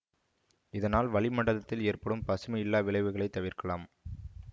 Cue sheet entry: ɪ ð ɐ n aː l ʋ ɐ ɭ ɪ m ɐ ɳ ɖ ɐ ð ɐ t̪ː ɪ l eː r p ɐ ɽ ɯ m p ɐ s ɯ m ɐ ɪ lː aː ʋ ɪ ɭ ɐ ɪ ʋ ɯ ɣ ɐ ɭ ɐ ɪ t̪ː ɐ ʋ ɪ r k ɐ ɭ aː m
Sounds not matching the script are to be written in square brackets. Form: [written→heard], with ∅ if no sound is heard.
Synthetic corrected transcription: ɪ ð ɐ n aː l ʋ ɐ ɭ ɪ m ɐ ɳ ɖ ɐ ð ɐ t̪ː ɪ l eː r p ɐ ɽ ɯ m p ɐ s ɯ m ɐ ɪ lː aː ʋ ɪ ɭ ɐ ɪ ʋ ɯ ɣ ɐ ɭ ɐ ɪ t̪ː ɐ ʋ ɪ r k ɐ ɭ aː m